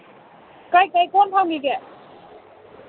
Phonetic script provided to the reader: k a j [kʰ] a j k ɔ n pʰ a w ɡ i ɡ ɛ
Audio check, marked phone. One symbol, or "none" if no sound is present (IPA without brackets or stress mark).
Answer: k